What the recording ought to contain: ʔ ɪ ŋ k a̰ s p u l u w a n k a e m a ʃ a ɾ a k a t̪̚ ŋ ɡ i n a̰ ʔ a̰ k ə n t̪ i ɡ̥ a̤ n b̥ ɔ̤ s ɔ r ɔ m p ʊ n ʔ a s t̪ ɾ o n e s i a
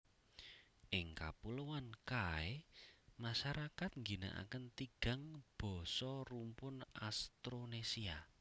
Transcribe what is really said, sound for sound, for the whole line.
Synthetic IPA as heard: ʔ ɪ ŋ k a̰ p u l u w a n k a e m a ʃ a ɾ a k a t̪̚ ŋ ɡ i n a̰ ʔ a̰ k ə n t̪ i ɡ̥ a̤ ŋ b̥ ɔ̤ s ɔ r u m p ʊ n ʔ a s t̪ ɾ o n e s i a